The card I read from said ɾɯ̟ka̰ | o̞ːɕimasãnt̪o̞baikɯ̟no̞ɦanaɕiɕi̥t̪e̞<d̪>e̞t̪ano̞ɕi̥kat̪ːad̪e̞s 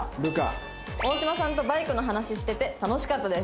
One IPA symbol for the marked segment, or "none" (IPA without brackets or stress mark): t̪